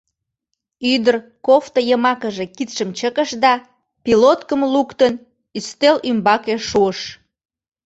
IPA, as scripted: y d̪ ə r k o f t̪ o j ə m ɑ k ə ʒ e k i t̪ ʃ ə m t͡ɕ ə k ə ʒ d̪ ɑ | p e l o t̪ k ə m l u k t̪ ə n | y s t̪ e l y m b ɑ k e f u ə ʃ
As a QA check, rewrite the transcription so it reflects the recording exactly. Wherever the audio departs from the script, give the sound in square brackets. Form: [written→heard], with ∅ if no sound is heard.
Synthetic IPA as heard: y d̪ ə r k o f t̪ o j ə m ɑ k ə ʒ e k i t̪ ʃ ə m t͡ɕ ə k ə [ʒ→ʃ] d̪ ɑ | p [e→i] l o t̪ k ə m l u k t̪ ə n | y s t̪ e l y m b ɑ k e [f→ʃ] u ə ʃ